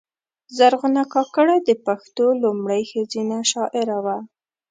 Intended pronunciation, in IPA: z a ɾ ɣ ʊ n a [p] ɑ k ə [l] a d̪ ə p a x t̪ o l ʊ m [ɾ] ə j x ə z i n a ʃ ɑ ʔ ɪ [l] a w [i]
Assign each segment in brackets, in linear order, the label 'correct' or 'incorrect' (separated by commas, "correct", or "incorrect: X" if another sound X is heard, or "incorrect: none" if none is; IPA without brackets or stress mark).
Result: incorrect: k, incorrect: ɽ, incorrect: ɽ, incorrect: ɾ, incorrect: a